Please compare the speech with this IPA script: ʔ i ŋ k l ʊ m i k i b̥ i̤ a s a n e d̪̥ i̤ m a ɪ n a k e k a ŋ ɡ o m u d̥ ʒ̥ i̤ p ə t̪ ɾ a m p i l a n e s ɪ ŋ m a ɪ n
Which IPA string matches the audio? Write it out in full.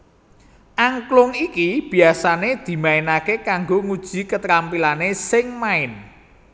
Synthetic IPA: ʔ a ŋ k l ʊ ŋ i k i b̥ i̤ a s a n e d̪̥ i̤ m a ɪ n a k e k a ŋ ɡ o ŋ u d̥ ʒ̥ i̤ k ə t̪ ɾ a m p i l a n e s ɪ ŋ m a ɪ n